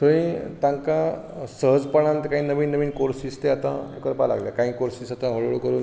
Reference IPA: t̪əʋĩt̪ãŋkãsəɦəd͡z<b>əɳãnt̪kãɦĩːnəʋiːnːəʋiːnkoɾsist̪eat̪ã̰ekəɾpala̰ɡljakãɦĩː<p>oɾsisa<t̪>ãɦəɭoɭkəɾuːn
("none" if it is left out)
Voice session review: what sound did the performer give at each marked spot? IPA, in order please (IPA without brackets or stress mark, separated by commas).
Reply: p, k, t̪